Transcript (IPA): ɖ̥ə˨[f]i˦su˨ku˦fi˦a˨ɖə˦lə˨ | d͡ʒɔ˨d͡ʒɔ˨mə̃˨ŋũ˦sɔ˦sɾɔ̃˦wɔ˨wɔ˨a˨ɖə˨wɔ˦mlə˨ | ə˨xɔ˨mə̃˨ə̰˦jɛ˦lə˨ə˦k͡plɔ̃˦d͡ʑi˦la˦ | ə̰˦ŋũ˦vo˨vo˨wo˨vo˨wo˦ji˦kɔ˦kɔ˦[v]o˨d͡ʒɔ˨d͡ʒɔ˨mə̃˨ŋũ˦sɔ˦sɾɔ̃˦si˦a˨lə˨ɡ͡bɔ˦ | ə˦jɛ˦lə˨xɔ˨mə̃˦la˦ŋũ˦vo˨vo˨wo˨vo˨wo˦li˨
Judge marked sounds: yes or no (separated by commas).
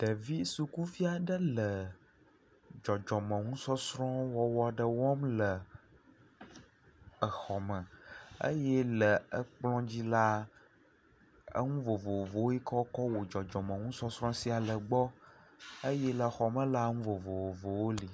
no, no